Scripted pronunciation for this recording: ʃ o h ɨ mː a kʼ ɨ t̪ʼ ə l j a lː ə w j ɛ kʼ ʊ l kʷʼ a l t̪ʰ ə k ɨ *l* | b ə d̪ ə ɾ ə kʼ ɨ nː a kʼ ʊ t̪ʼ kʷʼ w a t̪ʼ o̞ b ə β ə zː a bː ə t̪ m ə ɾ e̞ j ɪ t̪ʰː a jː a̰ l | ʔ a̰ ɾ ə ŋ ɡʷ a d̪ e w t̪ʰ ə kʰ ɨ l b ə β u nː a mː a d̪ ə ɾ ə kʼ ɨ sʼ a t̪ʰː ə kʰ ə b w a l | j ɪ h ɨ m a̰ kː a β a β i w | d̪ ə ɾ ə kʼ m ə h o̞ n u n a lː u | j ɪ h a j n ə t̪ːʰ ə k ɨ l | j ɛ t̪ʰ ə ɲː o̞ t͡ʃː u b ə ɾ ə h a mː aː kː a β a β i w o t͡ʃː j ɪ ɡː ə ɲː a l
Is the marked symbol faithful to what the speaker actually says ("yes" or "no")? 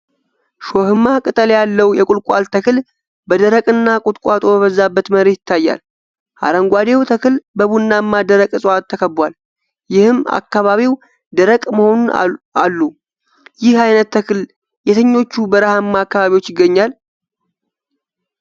yes